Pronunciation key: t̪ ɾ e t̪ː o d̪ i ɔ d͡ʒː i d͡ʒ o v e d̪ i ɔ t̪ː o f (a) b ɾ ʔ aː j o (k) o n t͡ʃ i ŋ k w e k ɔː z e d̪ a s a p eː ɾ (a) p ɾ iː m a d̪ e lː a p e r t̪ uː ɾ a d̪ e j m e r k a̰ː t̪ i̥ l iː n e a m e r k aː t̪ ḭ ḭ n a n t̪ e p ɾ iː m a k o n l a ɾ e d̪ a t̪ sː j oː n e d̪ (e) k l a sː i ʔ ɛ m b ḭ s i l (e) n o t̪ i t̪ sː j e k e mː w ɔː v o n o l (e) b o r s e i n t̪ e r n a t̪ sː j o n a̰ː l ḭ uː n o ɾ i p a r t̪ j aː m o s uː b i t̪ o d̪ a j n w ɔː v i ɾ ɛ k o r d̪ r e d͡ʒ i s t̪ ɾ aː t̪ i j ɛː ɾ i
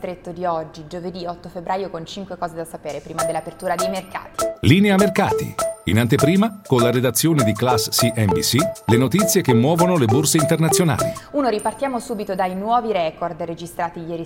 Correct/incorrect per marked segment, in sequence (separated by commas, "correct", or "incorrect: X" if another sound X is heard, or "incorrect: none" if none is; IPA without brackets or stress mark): incorrect: e, correct, incorrect: e, incorrect: i, correct, correct